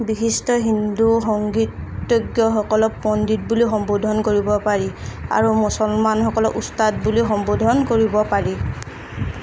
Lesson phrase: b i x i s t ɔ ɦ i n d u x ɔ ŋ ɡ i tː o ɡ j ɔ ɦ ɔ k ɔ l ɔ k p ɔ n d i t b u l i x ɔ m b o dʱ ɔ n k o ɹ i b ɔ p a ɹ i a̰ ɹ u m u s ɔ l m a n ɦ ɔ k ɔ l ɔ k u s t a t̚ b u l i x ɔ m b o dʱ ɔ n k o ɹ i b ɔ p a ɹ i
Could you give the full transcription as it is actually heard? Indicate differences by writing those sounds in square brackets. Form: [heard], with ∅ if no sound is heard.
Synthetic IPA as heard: b i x i s t ɔ ɦ i n d u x ɔ ŋ ɡ i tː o ɡ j ɔ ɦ ɔ k ɔ l ɔ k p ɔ n d i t b u l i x ɔ m b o dʱ ɔ n k o ɹ i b ɔ p a ɹ i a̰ ɹ u m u s ɔ l m a n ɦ ɔ k ɔ l ɔ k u s t a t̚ b u l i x ɔ m b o dʱ ɔ n k o ɹ i b ɔ p a ɹ i